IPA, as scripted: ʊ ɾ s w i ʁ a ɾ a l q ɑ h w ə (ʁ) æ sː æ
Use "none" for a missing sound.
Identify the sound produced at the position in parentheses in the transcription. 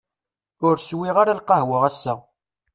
ʁ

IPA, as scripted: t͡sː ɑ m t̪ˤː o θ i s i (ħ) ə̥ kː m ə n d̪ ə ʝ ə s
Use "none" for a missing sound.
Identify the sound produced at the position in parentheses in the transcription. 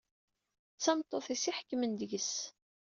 ħ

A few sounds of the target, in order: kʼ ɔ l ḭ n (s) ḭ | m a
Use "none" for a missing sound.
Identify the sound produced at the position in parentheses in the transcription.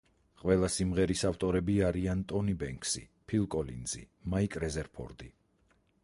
z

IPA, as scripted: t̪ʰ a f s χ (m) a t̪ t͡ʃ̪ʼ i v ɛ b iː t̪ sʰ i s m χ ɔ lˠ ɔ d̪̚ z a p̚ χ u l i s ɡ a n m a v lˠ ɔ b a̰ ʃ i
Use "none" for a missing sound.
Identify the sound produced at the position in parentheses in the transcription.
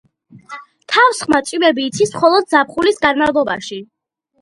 m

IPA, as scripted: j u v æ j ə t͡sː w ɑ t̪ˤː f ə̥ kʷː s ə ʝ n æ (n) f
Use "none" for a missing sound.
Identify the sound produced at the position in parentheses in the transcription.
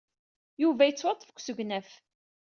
none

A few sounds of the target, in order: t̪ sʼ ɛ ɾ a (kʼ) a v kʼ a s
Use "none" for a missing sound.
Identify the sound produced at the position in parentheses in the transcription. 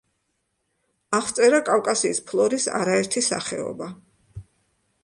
kʼ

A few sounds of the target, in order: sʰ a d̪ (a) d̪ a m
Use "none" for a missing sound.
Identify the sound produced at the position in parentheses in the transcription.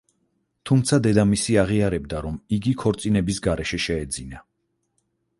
ɛ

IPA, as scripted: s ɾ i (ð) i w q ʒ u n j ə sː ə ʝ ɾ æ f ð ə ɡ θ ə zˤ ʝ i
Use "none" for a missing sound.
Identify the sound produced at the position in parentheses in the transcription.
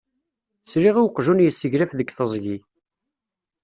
ʁ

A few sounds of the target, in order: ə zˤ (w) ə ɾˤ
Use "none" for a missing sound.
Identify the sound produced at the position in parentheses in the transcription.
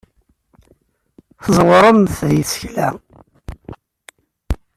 w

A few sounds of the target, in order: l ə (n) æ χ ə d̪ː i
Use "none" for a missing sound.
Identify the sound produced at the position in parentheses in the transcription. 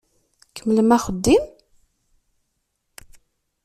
m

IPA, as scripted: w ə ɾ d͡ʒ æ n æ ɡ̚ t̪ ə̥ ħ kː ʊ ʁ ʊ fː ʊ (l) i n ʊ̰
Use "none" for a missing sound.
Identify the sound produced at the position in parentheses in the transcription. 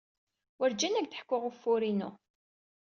ɾ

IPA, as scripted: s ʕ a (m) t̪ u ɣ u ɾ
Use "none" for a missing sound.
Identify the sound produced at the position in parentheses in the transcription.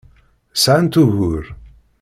n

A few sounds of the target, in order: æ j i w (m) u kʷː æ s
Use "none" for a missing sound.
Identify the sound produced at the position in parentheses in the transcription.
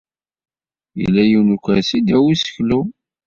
n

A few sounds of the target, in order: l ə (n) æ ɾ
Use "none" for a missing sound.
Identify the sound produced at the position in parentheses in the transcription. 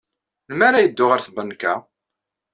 m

